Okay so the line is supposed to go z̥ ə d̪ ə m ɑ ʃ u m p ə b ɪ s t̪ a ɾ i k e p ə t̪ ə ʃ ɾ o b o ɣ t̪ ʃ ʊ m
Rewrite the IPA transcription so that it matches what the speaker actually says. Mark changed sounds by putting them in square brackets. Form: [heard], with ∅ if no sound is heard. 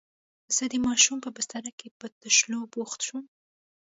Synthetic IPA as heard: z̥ ə d̪ ə m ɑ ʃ u m p ə b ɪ s t̪ a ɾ [a] k e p ə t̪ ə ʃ [l] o b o [x] t̪ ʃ [u] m